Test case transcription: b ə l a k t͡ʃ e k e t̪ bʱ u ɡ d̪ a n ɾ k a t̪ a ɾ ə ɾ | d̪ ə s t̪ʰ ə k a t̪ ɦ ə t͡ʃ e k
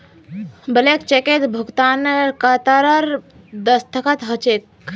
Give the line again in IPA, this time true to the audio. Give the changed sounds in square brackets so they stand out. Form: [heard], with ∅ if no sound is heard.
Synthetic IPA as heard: b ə l [e] k t͡ʃ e k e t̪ bʱ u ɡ [t̪] a n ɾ k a t̪ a ɾ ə ɾ | d̪ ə s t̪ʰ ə k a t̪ ɦ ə t͡ʃ e k